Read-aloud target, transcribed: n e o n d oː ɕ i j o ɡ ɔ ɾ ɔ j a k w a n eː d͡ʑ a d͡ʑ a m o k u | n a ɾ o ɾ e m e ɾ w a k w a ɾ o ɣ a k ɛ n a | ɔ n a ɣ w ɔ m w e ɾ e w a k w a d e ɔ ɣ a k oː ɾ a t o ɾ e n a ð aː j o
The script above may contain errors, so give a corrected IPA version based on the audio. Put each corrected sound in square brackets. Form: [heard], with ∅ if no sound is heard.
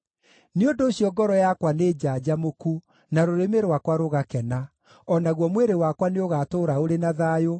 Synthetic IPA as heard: n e o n d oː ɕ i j [ɔ] ɡ ɔ ɾ ɔ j a k w a n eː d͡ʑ a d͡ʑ a m o k u | n a ɾ o ɾ e m e ɾ w a k w a ɾ o ɣ a k ɛ n a | ɔ n a ɣ w ɔ m w e ɾ e w a k w a [n] e [o] ɣ a [t] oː ɾ a [∅] o ɾ e n a ð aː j o

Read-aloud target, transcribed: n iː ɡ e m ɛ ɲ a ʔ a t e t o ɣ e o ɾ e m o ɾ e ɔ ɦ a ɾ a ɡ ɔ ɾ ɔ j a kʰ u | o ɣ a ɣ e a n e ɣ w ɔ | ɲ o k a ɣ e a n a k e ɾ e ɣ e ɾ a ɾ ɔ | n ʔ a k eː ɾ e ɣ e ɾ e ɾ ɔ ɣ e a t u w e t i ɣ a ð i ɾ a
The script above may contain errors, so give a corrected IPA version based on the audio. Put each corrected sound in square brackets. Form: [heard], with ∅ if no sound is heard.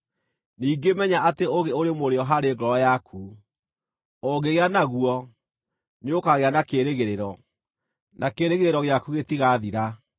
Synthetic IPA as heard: n iː ɡ e m ɛ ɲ a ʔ a t e [∅] o ɣ e o ɾ e m o ɾ e ɔ ɦ a ɾ [e] ɡ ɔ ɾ ɔ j a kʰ u | o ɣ [e] ɣ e a n [a] ɣ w ɔ | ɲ o k a ɣ e a n a k e ɾ e ɣ e ɾ [e] ɾ ɔ | n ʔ a k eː ɾ e ɣ e ɾ e ɾ ɔ ɣ e a [k] u [ɣ] e t i ɣ a ð i ɾ a

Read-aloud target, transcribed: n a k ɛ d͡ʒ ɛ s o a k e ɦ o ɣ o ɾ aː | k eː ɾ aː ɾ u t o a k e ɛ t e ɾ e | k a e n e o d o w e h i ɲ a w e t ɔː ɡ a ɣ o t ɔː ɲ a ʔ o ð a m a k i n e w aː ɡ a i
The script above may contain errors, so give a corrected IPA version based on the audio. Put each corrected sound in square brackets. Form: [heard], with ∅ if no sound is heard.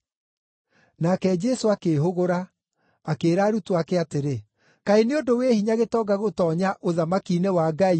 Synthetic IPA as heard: n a k ɛ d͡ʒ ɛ s o a k e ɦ o ɣ o ɾ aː | k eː ɾ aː ɾ u t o a k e [a] t e ɾ e | k a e n e o d o w e h i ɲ a [ɣ] e t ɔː ɡ a ɣ o t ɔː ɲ a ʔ o ð a m a k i n e w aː ɡ a i

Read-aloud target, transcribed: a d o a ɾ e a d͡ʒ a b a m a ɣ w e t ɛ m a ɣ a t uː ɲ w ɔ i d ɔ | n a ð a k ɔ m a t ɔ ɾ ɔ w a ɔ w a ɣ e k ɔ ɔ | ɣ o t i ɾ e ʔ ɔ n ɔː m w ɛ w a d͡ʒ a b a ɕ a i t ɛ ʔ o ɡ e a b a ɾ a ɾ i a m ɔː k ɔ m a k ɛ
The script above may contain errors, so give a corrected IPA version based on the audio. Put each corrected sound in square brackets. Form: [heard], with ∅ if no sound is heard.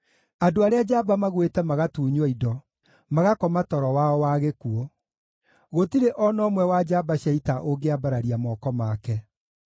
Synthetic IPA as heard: a d o a ɾ e a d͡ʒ a b a m a ɣ w e t ɛ m a ɣ a t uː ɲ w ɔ i d ɔ | [m] a [ɣ] a k ɔ m a t ɔ ɾ ɔ w a ɔ w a ɣ e k [u] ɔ | ɣ o t i ɾ e ʔ ɔ n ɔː m w ɛ w a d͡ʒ a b a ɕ a i t [a] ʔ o ɡ e a b a ɾ a ɾ i a m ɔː k ɔ m a k ɛ

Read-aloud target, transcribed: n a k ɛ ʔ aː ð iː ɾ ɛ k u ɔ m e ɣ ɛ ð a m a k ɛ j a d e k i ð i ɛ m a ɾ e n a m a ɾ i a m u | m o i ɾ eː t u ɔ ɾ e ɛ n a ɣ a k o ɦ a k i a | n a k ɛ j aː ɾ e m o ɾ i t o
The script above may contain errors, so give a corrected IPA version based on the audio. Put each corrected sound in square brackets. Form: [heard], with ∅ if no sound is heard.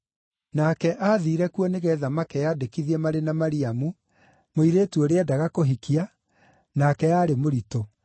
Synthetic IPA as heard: n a k ɛ ʔ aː ð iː ɾ ɛ k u ɔ [n] e ɣ ɛ ð a m a k ɛ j a d e k i ð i ɛ m a ɾ e n a m a ɾ i a m u | m o i ɾ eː t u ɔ ɾ e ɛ [d] a ɣ a k o ɦ [i] k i a | n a k ɛ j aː ɾ e m o ɾ i t o

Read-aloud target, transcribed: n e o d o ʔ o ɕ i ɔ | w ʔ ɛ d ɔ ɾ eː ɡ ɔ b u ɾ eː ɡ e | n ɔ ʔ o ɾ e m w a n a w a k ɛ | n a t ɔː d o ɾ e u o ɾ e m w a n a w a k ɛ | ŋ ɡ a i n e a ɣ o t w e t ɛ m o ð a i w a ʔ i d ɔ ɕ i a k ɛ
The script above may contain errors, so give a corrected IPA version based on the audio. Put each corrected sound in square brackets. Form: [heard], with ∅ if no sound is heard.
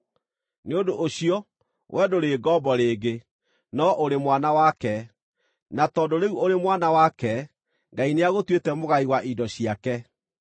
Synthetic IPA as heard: n e o d o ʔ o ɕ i ɔ | w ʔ ɛ d [o] ɾ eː ɡ ɔ b [ɔ] ɾ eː ɡ e | n ɔ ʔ o ɾ e m w a n a w a k ɛ | n a t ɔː d o ɾ e u o ɾ e m w a n a w a k ɛ | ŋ ɡ a i n e a ɣ o t w e t ɛ m o [ɣ] a i w a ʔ i d ɔ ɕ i a k ɛ

